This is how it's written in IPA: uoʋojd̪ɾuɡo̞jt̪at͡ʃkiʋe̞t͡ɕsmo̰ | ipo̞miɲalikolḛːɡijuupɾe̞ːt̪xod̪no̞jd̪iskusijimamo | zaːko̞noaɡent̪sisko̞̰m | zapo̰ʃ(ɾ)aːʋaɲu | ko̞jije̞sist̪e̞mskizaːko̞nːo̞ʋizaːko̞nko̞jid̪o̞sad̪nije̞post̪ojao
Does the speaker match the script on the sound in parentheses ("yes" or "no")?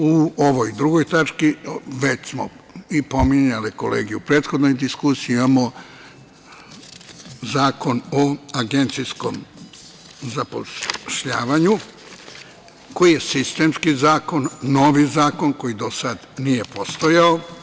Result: no